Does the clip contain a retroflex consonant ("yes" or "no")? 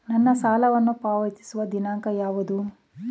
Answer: no